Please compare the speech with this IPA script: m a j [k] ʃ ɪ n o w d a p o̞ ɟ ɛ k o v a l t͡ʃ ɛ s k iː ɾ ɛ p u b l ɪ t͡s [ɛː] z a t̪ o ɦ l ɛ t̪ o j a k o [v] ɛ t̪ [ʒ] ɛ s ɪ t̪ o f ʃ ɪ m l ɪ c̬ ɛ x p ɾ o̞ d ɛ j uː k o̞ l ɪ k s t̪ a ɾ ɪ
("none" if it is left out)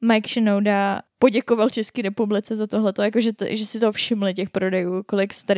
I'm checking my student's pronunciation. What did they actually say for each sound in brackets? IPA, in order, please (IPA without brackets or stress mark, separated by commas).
k, ɛ, ʒ, ʒ